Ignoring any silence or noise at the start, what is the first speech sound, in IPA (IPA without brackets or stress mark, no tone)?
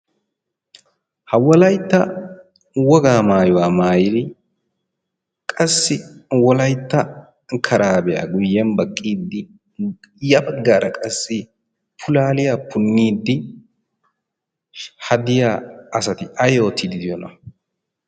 h